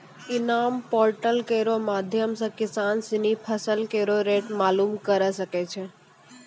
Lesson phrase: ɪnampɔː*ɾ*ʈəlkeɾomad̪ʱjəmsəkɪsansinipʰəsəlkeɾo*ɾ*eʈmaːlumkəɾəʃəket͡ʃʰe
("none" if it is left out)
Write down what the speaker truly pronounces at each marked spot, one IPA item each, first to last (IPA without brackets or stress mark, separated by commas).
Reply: ɾ, ɾ